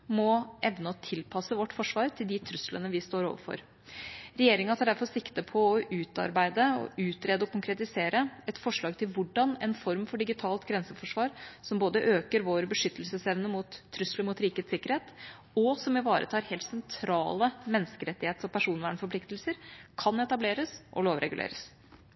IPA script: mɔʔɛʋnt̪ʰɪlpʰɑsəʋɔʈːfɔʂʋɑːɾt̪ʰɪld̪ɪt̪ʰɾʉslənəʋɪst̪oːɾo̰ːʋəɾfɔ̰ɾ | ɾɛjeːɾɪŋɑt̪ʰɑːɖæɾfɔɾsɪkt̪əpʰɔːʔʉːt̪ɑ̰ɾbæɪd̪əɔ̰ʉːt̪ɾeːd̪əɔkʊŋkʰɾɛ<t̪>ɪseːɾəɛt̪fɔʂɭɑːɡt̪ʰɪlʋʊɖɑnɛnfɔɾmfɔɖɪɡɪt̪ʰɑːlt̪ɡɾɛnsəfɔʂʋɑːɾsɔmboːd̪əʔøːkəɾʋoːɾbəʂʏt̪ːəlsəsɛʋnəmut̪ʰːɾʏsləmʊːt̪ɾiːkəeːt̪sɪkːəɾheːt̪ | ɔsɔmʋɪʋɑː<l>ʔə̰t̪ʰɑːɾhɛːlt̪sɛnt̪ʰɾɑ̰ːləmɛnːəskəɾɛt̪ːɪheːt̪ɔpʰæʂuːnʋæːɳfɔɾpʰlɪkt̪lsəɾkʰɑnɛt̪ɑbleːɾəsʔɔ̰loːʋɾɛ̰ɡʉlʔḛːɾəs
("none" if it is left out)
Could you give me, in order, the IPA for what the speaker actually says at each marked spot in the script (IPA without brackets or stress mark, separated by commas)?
t̪, ɾ